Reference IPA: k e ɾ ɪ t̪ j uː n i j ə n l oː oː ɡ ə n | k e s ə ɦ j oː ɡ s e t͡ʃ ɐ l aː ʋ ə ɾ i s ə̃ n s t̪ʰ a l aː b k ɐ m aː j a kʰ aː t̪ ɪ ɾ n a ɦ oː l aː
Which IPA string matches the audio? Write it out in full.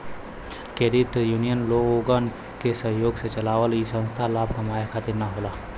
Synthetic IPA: k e ɾ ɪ t̪ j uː n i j ə n l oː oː ɡ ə n | k e s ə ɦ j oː ɡ s e t͡ʃ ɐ l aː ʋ ə l i s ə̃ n s t̪ʰ a l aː b k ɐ m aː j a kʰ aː t̪ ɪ ɾ n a ɦ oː l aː